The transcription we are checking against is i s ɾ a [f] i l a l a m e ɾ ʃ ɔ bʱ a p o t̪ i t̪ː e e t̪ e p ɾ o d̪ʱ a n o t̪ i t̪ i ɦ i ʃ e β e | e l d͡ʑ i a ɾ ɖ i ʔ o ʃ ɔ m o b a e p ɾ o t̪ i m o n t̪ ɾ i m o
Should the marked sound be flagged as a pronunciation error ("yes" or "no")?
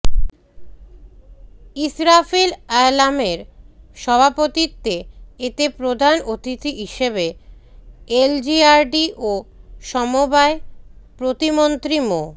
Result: no